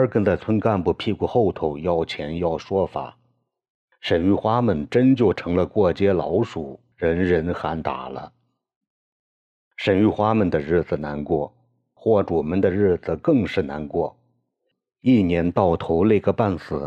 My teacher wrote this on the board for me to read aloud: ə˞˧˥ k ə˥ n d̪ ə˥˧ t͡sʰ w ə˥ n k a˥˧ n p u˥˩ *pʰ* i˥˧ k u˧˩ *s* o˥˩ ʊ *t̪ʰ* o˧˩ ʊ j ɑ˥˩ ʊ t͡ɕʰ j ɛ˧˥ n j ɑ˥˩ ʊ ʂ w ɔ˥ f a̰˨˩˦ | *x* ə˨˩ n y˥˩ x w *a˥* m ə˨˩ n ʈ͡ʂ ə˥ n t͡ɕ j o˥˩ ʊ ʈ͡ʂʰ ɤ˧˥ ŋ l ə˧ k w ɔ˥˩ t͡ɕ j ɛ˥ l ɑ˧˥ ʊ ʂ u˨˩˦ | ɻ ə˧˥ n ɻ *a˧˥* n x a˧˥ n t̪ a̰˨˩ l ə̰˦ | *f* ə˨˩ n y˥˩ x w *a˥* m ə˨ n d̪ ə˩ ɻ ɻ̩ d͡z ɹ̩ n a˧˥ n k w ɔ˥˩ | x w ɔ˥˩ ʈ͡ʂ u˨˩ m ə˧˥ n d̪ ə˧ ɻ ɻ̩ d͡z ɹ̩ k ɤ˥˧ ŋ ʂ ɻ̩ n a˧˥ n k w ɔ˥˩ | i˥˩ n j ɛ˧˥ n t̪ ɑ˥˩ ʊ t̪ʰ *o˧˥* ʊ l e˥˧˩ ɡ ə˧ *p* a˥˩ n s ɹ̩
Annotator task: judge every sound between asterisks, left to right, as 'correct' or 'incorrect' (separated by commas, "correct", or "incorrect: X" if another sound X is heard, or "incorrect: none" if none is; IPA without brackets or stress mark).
correct, incorrect: x, correct, incorrect: ʂ, correct, incorrect: ə˧˥, incorrect: ʂ, correct, correct, correct